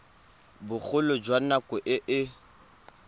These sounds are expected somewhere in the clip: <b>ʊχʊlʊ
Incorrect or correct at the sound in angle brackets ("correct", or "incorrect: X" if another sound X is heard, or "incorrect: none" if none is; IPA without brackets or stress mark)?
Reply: correct